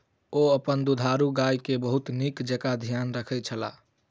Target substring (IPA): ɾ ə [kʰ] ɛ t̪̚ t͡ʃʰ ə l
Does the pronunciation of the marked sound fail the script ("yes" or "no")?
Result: no